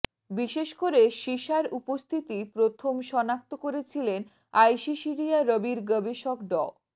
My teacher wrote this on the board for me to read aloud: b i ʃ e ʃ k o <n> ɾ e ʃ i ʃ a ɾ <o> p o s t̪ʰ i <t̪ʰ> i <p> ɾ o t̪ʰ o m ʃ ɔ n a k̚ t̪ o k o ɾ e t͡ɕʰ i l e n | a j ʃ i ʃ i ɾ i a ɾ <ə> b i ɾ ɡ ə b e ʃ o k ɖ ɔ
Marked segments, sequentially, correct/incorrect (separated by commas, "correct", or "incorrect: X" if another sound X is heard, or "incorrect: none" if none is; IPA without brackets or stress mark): incorrect: none, incorrect: u, incorrect: t̪, correct, correct